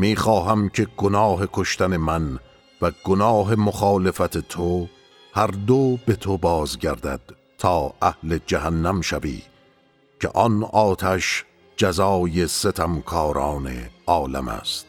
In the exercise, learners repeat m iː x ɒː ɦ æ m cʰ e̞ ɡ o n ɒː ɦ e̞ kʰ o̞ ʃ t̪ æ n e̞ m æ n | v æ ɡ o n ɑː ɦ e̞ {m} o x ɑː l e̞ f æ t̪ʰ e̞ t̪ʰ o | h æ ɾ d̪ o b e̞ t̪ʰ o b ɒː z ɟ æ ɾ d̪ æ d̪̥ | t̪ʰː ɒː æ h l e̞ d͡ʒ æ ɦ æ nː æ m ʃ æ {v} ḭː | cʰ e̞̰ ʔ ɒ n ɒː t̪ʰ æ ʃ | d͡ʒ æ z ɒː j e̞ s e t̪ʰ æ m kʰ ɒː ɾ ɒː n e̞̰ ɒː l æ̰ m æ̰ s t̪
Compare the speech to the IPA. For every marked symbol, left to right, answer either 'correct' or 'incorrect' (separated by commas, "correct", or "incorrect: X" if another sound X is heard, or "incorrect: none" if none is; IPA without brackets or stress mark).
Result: correct, correct